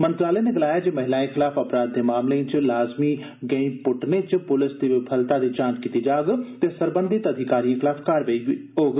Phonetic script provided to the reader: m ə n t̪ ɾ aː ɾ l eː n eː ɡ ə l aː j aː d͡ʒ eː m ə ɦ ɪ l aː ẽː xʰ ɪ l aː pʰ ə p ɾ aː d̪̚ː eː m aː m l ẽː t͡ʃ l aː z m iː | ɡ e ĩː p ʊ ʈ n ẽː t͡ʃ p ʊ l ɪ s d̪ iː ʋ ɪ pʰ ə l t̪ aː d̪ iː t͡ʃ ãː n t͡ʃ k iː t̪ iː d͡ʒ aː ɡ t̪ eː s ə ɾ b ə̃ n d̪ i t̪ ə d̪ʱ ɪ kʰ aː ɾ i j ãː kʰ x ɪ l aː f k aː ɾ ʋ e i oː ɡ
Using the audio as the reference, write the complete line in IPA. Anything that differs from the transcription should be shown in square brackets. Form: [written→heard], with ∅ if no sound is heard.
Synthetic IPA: m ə n t̪ ɾ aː [ɾ→∅] l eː n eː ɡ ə l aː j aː d͡ʒ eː m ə ɦ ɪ l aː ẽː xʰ ɪ l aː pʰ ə p ɾ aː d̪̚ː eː m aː m l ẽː t͡ʃ l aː z m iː | ɡ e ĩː p ʊ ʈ n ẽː t͡ʃ p ʊ l ɪ s d̪ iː ʋ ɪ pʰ ə l t̪ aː d̪ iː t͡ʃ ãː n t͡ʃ k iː t̪ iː d͡ʒ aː ɡ t̪ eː s ə ɾ b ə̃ n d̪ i t̪ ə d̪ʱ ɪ [kʰ→k] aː ɾ i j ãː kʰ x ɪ l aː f k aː ɾ ʋ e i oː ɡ